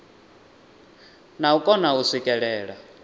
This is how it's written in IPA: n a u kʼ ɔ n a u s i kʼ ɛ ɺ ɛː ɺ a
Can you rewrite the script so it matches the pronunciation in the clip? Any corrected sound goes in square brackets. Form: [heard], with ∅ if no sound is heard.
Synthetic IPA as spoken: n a u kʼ ɔ n a u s i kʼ ɛ ɺ ɛː ɺ a